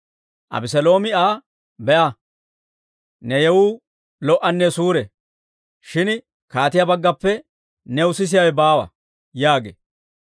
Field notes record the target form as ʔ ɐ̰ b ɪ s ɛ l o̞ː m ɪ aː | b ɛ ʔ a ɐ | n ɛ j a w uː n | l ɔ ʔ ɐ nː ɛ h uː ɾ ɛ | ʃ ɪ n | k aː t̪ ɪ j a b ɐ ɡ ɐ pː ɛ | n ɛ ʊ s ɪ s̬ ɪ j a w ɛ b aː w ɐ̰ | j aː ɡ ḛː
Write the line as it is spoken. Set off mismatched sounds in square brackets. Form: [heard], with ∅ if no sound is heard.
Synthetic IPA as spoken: ʔ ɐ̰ b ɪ s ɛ l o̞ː m ɪ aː | b ɛ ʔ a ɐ | n ɛ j [ɛ] w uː [∅] | l ɔ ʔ ɐ nː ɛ [s] uː ɾ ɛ | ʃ ɪ n | k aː t̪ ɪ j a b ɐ [ɡː] ɐ pː ɛ | n ɛ ʊ s ɪ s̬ ɪ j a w ɛ b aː w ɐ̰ | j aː ɡ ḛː